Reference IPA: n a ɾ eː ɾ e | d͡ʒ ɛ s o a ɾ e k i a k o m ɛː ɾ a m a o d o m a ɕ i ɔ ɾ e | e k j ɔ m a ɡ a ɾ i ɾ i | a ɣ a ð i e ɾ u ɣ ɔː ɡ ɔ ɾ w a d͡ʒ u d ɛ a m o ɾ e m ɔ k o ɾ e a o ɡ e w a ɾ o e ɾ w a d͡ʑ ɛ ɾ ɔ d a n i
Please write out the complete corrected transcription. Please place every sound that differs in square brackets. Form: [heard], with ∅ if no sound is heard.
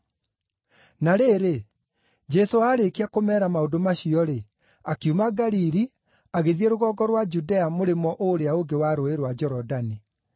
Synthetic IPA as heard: n a ɾ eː ɾ e | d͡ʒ ɛ s o a ɾ e k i a k o m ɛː ɾ a m a o d o m a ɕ i ɔ ɾ e | [a] k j [u] m a ɡ a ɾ i ɾ i | a ɣ [e] ð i e ɾ [o] ɣ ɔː ɡ ɔ ɾ w a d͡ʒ u d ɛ a m o ɾ e m ɔ [ʔ] o ɾ e a o ɡ e w a ɾ o e ɾ w a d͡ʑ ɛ ɾ ɔ d a n i